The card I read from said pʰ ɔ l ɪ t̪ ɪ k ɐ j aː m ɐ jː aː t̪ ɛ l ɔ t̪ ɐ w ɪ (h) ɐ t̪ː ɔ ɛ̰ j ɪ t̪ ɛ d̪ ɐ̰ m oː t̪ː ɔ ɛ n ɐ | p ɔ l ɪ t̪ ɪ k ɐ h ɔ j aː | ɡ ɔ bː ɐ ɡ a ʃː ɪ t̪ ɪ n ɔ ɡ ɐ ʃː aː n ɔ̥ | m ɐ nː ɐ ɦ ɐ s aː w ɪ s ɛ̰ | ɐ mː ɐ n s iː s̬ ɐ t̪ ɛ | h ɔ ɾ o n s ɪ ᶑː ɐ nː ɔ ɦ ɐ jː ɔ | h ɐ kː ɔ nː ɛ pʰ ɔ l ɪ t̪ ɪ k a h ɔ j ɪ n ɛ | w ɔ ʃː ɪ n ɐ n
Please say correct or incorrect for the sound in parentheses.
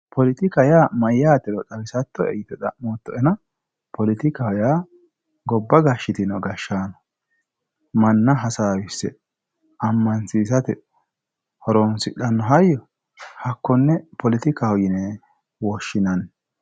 incorrect